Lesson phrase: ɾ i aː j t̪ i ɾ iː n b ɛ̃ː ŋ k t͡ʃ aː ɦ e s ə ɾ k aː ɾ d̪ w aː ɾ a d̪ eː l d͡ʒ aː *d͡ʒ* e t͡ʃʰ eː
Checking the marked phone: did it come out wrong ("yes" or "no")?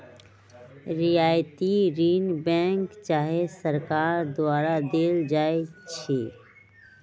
yes